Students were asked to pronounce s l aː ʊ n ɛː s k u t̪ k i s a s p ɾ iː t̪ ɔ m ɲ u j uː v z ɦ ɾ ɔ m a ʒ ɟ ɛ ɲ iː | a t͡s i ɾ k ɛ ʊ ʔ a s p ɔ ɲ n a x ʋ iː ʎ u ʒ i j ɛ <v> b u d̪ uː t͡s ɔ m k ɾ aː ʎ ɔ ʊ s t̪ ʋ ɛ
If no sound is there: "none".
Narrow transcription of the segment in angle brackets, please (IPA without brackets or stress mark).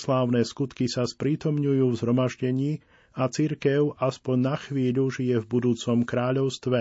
v